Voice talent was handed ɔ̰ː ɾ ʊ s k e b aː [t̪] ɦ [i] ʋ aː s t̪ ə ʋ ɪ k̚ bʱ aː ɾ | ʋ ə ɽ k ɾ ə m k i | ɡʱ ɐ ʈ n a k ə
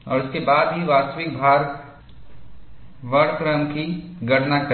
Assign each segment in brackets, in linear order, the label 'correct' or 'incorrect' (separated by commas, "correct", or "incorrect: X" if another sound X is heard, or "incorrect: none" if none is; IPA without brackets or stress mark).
incorrect: d̪, correct